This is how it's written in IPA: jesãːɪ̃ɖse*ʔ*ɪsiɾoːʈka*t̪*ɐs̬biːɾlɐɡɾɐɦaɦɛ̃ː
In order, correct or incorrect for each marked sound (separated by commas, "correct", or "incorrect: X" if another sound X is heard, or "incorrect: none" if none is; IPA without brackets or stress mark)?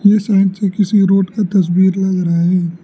incorrect: k, correct